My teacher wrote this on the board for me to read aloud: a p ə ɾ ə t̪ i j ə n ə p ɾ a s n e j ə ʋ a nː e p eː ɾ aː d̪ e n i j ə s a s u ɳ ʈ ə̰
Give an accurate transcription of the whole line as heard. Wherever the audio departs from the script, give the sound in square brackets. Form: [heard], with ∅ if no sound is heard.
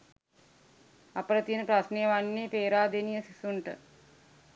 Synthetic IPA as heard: a p ə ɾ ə t̪ i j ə n ə p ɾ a s n e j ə ʋ a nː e p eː ɾ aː d̪ e n i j ə s [i] s u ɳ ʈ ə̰